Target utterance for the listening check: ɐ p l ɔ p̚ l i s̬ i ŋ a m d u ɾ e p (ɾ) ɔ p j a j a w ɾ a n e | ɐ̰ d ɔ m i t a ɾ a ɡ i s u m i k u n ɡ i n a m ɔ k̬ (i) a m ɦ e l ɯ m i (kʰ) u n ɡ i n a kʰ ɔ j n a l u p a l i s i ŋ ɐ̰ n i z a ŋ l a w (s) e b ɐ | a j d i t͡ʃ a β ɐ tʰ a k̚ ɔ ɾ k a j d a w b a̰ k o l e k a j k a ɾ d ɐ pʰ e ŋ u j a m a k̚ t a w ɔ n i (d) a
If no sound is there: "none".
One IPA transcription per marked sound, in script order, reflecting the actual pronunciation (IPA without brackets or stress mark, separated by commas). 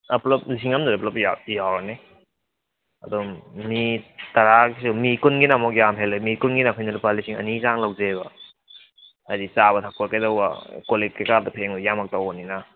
l, j, k, z, n